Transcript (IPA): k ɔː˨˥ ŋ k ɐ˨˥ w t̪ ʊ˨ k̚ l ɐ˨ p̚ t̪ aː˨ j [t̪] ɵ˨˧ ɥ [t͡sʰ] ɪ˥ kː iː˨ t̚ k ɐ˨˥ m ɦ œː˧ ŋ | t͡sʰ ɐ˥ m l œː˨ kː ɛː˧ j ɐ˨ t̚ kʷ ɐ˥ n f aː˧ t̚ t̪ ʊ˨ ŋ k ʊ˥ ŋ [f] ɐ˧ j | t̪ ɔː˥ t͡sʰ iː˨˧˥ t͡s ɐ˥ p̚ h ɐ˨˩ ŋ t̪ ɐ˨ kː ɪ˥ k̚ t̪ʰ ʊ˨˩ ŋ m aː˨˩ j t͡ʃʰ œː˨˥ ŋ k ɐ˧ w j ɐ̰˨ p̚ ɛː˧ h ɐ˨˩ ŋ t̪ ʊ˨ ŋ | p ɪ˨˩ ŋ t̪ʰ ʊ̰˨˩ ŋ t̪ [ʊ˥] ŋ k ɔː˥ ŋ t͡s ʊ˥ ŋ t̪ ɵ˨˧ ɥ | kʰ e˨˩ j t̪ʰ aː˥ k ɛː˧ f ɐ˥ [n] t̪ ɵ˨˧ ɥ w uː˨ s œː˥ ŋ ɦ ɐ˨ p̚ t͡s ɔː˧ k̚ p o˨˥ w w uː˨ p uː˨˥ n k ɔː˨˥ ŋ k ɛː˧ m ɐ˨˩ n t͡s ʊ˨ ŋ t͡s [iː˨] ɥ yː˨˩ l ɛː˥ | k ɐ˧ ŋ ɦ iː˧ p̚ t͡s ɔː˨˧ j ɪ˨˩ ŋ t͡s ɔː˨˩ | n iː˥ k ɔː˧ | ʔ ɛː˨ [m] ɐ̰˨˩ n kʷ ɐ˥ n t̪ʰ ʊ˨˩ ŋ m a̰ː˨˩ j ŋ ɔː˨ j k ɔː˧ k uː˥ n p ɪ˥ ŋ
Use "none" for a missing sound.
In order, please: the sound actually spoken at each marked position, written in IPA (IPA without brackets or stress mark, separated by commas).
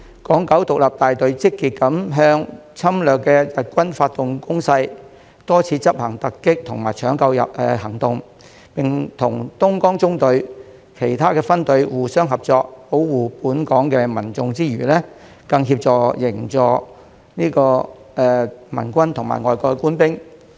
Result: t̪, t͡s, s, ʊ˥, n, iː˥, m